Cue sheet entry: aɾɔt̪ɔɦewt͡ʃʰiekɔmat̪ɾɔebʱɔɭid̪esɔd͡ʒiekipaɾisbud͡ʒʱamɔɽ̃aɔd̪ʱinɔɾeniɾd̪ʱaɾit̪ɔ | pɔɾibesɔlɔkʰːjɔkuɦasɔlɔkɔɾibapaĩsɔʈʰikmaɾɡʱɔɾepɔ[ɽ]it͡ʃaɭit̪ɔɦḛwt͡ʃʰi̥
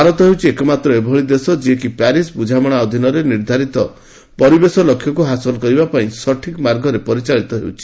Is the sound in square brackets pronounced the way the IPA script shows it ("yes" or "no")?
no